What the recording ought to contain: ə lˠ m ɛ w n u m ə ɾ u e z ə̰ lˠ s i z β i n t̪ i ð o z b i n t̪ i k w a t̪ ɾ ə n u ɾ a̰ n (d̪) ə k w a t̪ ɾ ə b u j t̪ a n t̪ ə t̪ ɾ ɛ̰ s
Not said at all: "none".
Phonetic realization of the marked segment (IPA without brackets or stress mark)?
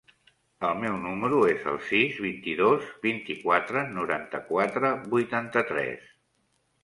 t̪